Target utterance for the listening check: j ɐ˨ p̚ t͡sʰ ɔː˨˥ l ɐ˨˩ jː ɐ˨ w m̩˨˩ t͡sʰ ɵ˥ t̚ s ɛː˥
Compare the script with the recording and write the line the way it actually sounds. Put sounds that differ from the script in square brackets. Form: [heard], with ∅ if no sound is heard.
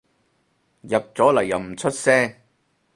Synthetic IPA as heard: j ɐ˨ p̚ [t͡s] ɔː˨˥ l ɐ˨˩ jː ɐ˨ w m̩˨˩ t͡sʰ ɵ˥ t̚ s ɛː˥